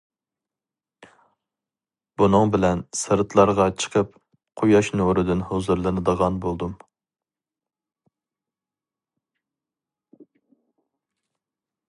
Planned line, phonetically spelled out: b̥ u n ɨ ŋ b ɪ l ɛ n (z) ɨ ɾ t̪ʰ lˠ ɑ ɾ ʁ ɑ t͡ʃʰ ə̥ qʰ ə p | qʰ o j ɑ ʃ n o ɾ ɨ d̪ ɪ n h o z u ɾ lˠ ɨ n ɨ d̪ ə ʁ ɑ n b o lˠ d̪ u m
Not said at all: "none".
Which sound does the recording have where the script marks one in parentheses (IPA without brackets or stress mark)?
s